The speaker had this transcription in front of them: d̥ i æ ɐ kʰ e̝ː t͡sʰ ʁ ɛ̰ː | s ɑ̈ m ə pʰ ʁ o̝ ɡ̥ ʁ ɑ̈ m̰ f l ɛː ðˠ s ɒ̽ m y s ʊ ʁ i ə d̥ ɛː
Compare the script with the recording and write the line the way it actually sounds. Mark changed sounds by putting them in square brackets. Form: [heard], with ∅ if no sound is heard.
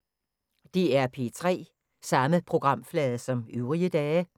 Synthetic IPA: d̥ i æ ɐ [pʰ] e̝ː t͡sʰ ʁ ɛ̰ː | s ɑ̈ m ə pʰ ʁ o̝ ɡ̥ ʁ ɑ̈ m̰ f l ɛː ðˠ s ɒ̽ m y [∅] ʊ ʁ i ə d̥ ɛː